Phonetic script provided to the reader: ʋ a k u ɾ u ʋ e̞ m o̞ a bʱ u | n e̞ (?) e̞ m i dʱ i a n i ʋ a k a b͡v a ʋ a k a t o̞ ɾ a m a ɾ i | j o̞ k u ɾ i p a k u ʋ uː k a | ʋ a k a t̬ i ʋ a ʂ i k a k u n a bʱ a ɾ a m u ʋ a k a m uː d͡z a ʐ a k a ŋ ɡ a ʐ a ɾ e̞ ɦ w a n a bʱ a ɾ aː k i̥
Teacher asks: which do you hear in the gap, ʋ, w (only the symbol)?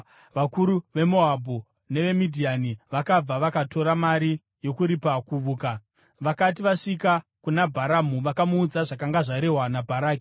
ʋ